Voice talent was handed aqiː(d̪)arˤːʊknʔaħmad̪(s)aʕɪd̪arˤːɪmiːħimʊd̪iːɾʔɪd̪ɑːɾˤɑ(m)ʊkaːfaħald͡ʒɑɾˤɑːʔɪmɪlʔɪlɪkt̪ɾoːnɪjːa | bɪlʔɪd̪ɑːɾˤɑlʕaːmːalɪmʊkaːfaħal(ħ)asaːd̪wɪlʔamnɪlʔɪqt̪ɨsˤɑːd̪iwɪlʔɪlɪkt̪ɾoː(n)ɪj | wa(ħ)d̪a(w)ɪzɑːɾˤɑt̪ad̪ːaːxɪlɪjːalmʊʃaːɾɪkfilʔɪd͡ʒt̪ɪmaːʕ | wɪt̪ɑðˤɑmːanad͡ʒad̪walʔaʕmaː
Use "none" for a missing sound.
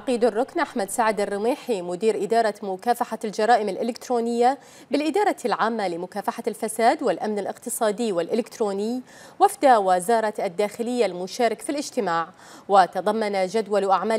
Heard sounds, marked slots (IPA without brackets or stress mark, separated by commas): d̪, s, m, f, n, f, w